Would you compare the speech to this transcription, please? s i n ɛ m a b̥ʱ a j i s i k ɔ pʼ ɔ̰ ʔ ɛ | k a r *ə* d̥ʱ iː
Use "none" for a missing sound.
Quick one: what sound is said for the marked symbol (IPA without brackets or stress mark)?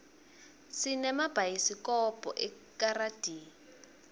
a